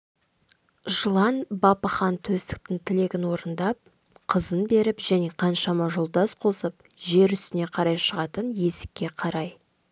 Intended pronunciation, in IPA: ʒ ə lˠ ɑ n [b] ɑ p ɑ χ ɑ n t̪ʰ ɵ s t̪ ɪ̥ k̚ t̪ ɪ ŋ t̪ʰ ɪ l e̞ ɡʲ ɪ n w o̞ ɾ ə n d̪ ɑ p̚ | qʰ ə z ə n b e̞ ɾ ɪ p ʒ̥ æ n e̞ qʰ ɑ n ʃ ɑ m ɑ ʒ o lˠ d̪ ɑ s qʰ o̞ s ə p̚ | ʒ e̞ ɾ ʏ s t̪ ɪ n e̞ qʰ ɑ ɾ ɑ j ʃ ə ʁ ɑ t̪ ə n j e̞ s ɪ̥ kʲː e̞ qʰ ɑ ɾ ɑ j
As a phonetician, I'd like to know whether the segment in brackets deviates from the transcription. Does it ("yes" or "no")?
no